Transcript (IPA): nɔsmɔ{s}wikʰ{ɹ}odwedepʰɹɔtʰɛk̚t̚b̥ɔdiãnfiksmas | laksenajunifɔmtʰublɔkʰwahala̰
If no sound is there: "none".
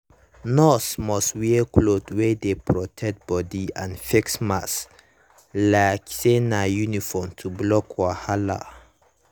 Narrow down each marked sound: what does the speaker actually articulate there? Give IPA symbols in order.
s, l

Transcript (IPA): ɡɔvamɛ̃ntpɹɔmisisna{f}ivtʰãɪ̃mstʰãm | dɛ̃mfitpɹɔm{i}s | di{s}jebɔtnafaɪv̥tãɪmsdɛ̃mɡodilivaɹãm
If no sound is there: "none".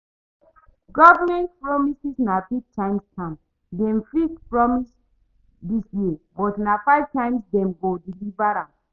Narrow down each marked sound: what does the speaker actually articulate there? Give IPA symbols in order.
f, i, s

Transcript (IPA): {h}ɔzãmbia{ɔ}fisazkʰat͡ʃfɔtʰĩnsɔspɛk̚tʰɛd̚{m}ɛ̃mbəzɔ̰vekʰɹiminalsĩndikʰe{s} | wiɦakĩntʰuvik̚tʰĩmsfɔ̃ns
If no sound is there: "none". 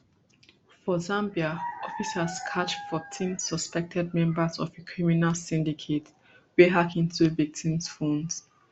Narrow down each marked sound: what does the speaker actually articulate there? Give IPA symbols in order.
f, ɔ, m, t

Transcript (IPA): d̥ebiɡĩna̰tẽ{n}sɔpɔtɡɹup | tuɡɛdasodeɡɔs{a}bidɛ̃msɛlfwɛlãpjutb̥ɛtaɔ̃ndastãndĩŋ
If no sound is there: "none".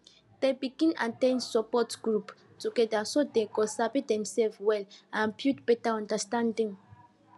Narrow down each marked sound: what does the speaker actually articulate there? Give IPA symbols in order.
n, a

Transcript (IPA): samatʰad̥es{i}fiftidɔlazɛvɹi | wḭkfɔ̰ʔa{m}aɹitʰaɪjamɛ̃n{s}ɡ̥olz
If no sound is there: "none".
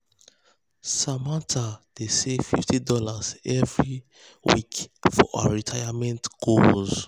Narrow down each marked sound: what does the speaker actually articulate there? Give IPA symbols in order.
e, none, t

